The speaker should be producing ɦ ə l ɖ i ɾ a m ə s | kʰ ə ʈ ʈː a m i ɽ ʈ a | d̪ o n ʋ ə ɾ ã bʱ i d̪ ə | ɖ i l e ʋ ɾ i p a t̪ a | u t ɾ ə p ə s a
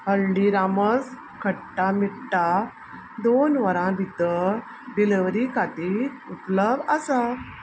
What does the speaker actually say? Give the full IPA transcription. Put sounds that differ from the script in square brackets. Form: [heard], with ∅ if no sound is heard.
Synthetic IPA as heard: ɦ ə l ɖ i ɾ a m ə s | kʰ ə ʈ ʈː a m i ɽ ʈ a | d̪ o n ʋ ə ɾ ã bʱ i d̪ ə | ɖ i l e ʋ ɾ i [k] a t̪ [i] | u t [l] ə [b] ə s a